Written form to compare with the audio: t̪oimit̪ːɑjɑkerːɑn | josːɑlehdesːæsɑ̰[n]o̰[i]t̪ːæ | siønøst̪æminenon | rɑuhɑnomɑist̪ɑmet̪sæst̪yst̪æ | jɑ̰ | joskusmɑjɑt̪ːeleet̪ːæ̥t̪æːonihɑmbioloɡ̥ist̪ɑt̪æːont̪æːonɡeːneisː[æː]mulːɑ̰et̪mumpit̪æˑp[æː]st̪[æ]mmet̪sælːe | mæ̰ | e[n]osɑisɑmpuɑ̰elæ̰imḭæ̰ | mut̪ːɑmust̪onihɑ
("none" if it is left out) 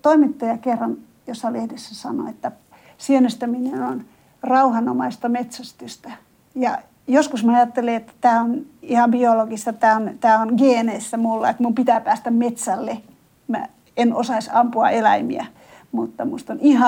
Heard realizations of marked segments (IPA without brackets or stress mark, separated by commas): n, e, æ, æː, æ, n